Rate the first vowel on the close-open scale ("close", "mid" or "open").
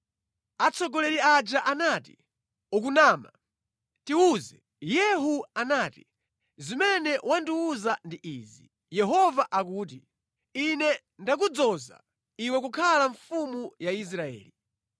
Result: open